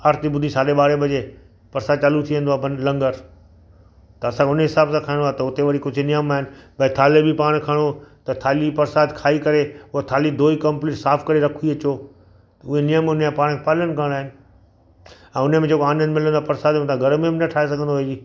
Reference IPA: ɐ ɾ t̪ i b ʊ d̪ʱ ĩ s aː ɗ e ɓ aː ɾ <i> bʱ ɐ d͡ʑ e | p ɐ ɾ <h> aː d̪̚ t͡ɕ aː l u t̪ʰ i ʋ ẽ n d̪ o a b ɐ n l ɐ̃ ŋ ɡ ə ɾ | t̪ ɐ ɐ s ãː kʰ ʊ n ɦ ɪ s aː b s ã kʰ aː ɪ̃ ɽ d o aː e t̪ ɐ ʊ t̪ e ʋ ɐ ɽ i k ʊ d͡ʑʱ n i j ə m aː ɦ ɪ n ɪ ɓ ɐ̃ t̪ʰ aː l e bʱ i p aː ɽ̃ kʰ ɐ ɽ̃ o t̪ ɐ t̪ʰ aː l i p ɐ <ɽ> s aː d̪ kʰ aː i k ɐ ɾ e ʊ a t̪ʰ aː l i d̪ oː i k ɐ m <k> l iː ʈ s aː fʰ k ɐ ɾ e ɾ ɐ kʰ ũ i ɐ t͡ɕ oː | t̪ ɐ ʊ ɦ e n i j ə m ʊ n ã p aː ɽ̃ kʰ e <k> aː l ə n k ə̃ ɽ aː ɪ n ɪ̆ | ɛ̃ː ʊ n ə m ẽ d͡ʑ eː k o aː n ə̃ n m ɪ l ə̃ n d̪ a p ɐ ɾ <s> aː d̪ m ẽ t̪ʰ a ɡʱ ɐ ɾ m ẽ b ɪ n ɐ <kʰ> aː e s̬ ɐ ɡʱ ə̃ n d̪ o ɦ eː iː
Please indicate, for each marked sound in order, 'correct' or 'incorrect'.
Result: incorrect, incorrect, incorrect, incorrect, incorrect, correct, incorrect

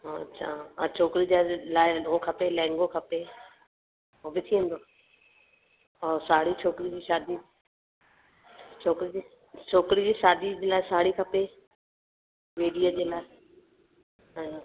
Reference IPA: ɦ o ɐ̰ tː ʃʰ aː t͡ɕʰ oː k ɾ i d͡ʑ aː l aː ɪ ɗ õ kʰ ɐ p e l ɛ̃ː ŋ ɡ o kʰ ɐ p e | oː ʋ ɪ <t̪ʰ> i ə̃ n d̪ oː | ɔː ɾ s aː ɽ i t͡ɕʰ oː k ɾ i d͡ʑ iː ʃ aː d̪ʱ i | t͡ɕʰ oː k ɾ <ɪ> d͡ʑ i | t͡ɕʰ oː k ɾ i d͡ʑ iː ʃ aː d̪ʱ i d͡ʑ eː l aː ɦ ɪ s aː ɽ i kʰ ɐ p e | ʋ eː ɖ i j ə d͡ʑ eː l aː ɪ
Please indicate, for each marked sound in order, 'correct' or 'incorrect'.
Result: correct, incorrect

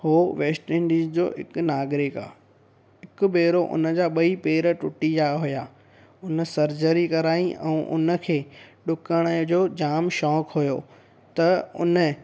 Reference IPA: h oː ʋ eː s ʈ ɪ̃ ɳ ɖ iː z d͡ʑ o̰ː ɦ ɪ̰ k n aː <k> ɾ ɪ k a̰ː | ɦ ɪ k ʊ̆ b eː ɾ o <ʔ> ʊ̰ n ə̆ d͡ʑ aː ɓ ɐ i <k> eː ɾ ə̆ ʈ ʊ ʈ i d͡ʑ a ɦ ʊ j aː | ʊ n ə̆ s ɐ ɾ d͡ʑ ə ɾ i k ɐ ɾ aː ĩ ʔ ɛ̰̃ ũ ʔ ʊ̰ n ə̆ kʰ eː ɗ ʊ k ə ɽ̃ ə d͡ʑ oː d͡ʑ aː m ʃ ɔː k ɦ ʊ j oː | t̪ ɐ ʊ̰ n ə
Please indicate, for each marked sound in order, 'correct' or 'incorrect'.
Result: incorrect, correct, incorrect

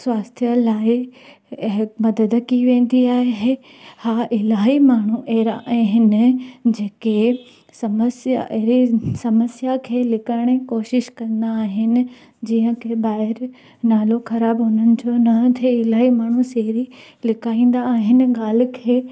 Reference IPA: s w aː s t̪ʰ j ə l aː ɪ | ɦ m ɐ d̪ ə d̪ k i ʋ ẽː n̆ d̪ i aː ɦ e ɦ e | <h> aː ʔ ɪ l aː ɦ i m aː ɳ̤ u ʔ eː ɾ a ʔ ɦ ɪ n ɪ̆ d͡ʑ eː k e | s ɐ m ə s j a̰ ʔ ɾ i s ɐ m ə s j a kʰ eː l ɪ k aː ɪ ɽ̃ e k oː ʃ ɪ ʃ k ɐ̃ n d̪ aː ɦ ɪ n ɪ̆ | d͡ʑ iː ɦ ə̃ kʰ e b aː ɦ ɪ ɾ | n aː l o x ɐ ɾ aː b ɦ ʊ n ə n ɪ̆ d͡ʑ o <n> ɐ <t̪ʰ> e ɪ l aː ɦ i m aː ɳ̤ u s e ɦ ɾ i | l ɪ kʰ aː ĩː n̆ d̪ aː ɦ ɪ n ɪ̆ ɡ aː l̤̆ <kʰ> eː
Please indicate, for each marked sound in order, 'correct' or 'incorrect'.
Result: correct, correct, correct, correct

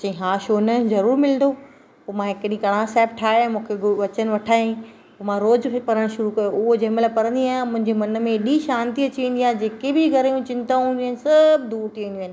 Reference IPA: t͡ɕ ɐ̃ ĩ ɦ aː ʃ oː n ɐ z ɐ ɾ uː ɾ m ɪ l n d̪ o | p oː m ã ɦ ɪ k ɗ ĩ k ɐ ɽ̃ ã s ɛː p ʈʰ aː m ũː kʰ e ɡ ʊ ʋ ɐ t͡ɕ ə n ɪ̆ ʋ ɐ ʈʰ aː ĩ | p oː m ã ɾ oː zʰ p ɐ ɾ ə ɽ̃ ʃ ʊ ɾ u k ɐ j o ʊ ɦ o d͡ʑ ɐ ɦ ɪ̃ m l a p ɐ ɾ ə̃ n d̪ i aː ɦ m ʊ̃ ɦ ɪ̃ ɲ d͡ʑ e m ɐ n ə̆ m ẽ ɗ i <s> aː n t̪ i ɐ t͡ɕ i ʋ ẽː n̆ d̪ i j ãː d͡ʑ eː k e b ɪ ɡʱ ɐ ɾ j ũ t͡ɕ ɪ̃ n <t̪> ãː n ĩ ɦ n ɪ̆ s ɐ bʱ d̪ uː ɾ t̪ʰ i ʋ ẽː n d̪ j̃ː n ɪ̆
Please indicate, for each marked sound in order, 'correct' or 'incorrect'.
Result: incorrect, correct

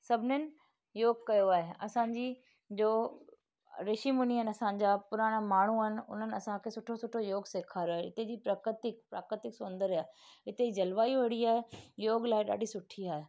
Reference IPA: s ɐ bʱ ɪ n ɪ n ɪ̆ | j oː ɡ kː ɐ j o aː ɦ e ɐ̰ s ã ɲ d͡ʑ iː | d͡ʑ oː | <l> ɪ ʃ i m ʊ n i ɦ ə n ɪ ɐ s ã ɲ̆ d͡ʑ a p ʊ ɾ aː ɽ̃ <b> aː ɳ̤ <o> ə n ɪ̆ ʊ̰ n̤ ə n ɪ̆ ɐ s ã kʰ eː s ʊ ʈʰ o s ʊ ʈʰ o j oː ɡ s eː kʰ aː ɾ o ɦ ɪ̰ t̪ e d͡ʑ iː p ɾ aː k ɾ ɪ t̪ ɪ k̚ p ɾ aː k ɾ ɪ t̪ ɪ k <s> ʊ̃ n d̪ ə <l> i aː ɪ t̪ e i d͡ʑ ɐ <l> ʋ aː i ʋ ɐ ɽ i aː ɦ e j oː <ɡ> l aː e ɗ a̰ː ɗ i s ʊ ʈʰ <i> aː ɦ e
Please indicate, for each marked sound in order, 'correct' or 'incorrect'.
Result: incorrect, incorrect, incorrect, correct, incorrect, correct, correct, correct

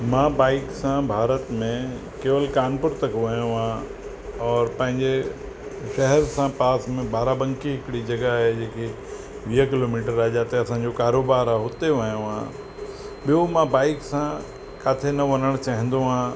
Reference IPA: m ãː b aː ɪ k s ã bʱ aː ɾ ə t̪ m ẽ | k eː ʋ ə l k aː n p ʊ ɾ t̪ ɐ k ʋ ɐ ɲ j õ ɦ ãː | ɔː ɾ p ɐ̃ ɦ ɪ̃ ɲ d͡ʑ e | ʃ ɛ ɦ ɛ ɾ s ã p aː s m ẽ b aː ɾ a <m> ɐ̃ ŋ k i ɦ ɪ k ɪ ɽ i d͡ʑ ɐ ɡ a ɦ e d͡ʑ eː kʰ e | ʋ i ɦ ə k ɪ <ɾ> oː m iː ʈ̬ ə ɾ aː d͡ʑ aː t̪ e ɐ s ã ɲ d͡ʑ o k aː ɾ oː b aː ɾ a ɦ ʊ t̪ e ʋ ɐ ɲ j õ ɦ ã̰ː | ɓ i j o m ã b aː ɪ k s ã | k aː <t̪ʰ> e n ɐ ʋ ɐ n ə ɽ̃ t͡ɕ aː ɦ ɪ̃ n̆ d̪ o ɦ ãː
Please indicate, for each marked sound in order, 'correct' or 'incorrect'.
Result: incorrect, incorrect, correct

